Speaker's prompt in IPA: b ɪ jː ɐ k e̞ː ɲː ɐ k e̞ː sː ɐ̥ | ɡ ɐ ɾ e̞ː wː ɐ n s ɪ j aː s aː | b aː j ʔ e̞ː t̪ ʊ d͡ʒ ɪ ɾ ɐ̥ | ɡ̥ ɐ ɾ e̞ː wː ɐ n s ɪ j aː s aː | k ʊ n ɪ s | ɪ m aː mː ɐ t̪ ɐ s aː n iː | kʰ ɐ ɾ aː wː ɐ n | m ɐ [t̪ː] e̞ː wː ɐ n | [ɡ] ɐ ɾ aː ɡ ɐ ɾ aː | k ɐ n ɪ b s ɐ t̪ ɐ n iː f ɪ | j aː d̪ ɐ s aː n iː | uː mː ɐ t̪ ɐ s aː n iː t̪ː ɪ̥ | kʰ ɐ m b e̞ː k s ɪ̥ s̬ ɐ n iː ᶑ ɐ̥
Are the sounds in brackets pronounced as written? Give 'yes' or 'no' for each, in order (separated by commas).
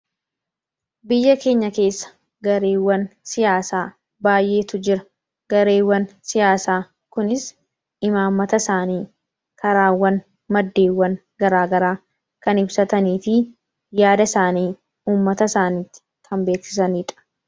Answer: no, yes